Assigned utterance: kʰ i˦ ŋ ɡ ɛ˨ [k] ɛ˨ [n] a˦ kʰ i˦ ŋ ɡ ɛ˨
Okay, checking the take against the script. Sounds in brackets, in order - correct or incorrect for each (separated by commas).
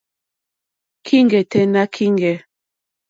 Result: incorrect, correct